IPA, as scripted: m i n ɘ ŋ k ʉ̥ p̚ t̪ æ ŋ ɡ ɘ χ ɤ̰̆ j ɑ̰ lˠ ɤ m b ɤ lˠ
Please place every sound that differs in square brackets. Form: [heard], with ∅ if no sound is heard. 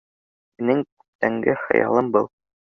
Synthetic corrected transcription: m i n ɘ ŋ k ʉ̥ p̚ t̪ æ ŋ ɡ ɘ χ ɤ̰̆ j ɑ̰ lˠ ɤ m b ɤ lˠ